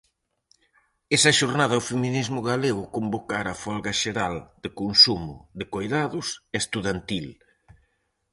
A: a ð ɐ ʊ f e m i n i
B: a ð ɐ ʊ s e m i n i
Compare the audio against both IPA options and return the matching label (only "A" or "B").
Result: A